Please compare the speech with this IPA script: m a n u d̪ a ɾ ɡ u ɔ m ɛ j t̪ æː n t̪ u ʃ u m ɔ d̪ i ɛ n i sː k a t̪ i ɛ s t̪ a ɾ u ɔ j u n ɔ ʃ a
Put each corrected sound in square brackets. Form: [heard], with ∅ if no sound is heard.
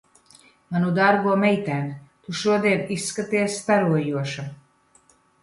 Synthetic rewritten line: m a n u d̪ a ɾ ɡ u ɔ m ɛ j t̪ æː n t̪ u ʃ u [∅] ɔ d̪ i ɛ n i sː k a t̪ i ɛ s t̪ a ɾ u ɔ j u [∅] ɔ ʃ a